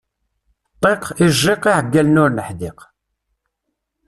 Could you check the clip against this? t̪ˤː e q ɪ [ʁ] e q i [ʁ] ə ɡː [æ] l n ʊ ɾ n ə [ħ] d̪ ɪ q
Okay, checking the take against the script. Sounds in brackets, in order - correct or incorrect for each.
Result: incorrect: ʒ, incorrect: ʕ, correct, correct

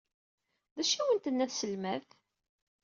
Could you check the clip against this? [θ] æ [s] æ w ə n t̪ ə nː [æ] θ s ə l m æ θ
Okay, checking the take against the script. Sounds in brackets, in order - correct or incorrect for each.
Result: incorrect: ð, incorrect: ʃ, correct

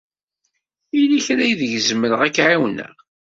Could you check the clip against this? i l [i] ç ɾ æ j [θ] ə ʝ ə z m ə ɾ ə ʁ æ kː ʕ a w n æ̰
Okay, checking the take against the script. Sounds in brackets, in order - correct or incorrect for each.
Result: correct, incorrect: ð

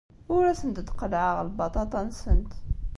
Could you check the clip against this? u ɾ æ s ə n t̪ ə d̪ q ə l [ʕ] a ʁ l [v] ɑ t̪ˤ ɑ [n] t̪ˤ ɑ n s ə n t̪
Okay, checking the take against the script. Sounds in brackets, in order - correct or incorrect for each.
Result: correct, incorrect: b, incorrect: none

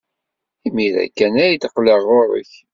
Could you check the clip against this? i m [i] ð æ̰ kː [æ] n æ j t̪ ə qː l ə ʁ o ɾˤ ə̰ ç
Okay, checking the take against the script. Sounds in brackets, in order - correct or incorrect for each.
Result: correct, correct

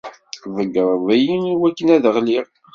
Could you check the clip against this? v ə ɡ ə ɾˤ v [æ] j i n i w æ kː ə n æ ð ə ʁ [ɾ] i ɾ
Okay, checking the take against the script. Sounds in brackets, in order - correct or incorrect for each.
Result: correct, incorrect: l

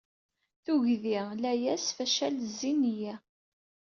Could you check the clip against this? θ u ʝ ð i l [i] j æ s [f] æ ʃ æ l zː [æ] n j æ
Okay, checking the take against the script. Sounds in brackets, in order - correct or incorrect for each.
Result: incorrect: æ, correct, incorrect: i

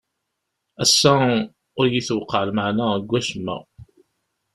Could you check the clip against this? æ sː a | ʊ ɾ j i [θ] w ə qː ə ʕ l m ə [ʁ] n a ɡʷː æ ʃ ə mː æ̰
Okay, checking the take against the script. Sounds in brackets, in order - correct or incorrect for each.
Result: correct, incorrect: ʕ

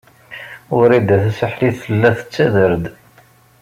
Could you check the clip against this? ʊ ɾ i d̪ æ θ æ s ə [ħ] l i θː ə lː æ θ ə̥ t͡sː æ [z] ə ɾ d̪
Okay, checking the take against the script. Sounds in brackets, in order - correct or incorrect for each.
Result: correct, incorrect: ð

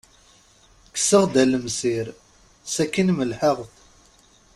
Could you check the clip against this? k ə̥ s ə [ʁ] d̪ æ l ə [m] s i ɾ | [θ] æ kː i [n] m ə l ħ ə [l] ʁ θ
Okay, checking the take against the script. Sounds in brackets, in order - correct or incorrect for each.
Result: correct, correct, incorrect: s, correct, incorrect: none

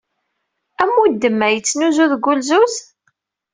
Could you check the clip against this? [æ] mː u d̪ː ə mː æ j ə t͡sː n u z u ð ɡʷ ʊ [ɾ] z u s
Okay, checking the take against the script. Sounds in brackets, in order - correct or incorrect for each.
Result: correct, incorrect: l

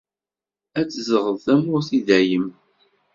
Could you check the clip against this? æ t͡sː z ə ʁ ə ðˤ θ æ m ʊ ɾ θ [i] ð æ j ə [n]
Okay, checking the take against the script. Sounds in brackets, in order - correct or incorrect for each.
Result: correct, incorrect: m

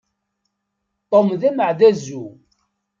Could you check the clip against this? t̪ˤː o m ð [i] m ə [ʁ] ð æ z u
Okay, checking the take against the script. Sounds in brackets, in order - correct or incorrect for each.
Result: incorrect: æ, incorrect: ʕ

